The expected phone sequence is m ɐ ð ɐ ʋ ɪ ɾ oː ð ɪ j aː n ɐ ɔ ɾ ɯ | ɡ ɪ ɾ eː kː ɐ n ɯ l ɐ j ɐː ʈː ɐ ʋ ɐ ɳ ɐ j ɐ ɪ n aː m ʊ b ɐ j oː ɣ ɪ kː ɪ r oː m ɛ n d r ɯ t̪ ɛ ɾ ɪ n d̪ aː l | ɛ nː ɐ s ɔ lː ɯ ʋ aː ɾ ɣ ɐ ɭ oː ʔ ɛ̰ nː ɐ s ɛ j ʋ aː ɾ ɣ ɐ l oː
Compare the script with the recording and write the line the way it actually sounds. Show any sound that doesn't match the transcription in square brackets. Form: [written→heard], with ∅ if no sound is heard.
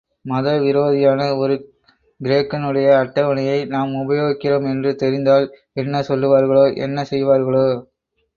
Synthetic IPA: m ɐ ð ɐ ʋ ɪ ɾ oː ð ɪ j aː n ɐ ɔ ɾ ɯ | ɡ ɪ ɾ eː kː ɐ n ɯ [l→ɽ] ɐ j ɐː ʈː ɐ ʋ ɐ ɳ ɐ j ɐ ɪ n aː m ʊ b ɐ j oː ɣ ɪ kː ɪ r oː m ɛ n d r ɯ t̪ ɛ ɾ ɪ n d̪ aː l | ɛ nː ɐ s ɔ lː ɯ ʋ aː ɾ ɣ ɐ ɭ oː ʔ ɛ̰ nː ɐ s ɛ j ʋ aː ɾ ɣ ɐ [l→ɭ] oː